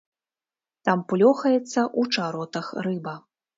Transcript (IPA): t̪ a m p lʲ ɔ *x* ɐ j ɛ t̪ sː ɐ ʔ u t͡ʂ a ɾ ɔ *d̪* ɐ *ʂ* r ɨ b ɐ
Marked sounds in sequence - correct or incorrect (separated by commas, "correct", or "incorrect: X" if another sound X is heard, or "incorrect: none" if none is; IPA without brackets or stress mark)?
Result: correct, incorrect: t̪, incorrect: x